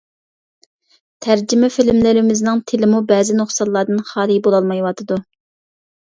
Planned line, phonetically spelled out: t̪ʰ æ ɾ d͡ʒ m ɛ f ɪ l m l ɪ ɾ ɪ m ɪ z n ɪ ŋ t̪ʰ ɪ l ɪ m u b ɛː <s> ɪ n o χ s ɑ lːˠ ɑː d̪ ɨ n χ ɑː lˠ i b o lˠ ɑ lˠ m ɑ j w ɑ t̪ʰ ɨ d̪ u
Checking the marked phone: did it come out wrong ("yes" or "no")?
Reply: yes